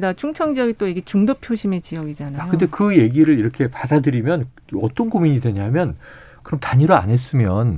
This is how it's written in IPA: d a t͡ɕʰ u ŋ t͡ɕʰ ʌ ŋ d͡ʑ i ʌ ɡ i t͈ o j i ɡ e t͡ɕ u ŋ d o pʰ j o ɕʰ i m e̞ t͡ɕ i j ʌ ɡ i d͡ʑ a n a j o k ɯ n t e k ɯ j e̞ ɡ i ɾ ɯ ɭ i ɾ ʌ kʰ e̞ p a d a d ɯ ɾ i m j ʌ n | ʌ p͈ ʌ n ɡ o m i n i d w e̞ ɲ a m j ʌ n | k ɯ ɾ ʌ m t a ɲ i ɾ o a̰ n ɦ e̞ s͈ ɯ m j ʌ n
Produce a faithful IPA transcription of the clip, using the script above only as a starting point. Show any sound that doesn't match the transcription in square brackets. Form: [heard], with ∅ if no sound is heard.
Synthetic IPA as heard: d a t͡ɕʰ u ŋ t͡ɕʰ ʌ ŋ d͡ʑ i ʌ ɡ i t͈ o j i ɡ e t͡ɕ u ŋ d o pʰ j o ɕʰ i m e̞ t͡ɕ i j ʌ ɡ i d͡ʑ a n a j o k ɯ n [d] e k ɯ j e̞ ɡ i ɾ ɯ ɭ i ɾ ʌ kʰ e̞ p a d a d ɯ ɾ i m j ʌ n | ʌ [t͈] ʌ n ɡ o m i [ɲ] i d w e̞ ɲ a m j ʌ n | k ɯ ɾ ʌ m t a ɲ i ɾ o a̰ n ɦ e̞ s͈ ɯ m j ʌ n